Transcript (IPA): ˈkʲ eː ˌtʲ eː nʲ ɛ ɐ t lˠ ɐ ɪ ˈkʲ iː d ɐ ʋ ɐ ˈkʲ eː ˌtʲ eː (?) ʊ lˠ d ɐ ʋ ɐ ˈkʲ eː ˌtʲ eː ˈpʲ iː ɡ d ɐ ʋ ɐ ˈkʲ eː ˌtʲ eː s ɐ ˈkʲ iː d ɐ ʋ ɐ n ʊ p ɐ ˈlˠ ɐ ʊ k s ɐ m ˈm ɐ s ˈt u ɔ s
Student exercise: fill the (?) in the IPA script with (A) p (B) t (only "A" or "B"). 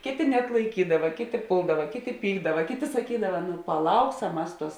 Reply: A